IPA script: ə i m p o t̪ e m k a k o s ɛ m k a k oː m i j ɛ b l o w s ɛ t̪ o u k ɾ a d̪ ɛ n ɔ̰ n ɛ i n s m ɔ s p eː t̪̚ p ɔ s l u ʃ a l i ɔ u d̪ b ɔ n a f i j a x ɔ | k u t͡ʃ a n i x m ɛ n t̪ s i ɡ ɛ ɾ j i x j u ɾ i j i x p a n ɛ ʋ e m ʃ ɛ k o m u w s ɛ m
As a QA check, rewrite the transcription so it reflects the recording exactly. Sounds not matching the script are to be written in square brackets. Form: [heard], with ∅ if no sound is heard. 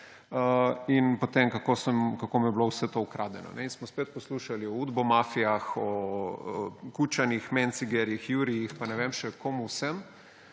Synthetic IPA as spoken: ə i [n] p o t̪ e m k a k o s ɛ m k a k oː m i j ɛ b l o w s ɛ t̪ o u k ɾ a d̪ ɛ n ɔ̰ n ɛ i n s m ɔ s p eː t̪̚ p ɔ s l u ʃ a l i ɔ u d̪ b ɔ [m] a f i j a x ɔ | k u t͡ʃ a n i x m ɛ n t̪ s i ɡ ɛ ɾ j i x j u ɾ i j i x p a n ɛ ʋ e m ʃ ɛ k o m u w s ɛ m